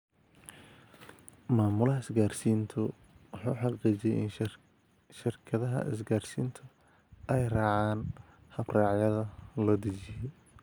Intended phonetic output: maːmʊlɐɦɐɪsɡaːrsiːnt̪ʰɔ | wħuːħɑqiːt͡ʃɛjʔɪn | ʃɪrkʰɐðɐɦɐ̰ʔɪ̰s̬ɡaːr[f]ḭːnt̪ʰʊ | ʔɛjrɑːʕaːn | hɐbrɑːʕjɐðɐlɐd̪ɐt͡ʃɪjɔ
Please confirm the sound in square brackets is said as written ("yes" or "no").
no